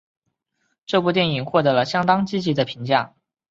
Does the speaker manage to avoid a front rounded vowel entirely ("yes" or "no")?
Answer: yes